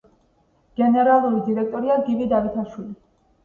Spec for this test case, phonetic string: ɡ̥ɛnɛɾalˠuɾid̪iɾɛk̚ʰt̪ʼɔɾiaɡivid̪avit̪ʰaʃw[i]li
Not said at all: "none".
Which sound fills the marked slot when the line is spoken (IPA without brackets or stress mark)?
i